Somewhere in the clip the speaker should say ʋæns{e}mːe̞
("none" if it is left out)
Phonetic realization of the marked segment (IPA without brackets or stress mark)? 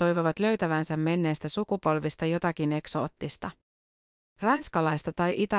æ